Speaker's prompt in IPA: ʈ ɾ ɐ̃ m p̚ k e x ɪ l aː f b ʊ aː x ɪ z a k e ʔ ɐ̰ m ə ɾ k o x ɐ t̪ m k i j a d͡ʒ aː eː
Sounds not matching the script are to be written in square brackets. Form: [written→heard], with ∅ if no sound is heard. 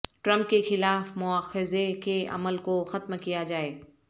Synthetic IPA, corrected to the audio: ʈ ɾ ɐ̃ m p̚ k e x ɪ l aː f [b→m] ʊ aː x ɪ z [a→e] k e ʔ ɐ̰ m ə [ɾ→l] k o x ɐ t̪ m k i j a d͡ʒ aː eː